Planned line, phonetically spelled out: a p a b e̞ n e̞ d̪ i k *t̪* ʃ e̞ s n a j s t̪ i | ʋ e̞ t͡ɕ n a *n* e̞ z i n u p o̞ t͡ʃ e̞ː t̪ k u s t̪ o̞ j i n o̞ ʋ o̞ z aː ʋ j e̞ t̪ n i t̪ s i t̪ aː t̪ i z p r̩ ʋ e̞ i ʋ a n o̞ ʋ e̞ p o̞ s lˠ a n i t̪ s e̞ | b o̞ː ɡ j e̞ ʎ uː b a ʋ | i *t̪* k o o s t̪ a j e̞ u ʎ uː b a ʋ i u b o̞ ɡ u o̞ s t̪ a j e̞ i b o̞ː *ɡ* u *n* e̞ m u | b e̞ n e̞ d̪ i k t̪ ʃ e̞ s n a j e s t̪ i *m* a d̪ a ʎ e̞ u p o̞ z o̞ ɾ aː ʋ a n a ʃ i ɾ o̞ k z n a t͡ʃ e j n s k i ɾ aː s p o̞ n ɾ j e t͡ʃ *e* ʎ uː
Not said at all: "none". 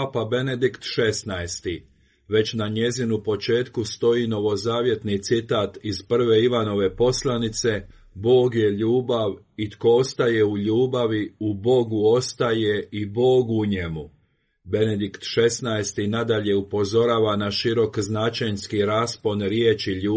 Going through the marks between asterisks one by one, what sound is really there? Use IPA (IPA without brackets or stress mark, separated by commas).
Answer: t̪, ɲ, t̪, ɡ, ɲ, n, i